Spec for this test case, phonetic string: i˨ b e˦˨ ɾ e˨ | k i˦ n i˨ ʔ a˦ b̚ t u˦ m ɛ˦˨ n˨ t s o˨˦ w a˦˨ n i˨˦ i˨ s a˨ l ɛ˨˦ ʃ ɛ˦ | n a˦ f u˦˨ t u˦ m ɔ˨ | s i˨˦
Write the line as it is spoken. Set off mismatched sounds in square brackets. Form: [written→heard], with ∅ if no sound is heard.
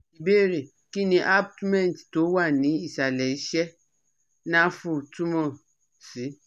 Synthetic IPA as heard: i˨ b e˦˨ ɾ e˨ | k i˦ n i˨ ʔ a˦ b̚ t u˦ m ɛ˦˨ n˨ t [s→t] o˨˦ w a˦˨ n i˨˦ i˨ s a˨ l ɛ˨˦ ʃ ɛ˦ | n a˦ f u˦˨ t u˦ m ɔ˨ | s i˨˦